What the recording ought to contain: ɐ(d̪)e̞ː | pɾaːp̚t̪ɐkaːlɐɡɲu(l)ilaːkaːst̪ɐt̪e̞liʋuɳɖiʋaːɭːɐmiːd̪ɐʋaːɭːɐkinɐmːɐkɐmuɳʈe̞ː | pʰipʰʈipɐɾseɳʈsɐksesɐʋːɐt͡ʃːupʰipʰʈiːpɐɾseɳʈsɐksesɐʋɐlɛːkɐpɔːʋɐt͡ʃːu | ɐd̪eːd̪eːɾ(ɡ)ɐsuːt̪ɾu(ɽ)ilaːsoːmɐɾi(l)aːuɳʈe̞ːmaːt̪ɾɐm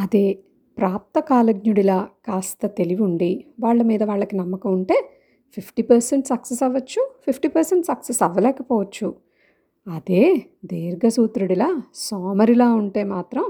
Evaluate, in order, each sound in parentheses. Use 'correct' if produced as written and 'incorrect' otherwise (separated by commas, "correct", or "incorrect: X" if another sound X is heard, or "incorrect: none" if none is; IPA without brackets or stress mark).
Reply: correct, incorrect: ɽ, correct, correct, correct